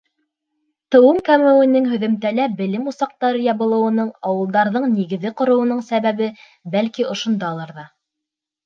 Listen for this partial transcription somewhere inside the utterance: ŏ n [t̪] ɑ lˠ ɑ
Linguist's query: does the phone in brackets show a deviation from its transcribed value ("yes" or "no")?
yes